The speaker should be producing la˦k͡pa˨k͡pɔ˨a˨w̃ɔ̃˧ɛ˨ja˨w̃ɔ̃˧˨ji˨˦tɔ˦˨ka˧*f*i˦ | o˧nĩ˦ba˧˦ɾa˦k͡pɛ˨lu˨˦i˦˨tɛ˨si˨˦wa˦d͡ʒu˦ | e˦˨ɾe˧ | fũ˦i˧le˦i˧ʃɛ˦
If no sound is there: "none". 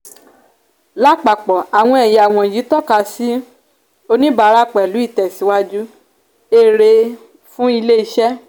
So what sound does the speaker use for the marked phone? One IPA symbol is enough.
s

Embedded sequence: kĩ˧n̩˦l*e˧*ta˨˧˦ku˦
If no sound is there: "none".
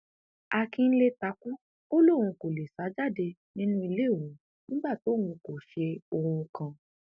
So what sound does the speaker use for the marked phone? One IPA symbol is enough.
e˧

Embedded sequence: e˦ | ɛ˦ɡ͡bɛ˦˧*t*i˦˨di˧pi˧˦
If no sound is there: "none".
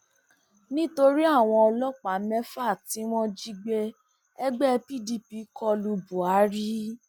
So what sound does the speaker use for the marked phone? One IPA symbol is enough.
p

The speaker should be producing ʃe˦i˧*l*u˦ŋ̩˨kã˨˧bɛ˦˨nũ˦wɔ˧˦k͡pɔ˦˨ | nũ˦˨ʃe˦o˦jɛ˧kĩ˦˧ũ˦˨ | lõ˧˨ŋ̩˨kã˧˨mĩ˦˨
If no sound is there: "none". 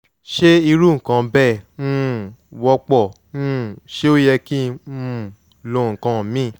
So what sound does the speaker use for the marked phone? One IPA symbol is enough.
ɾ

